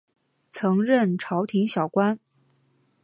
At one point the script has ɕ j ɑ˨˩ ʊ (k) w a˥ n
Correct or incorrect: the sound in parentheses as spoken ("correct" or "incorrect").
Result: correct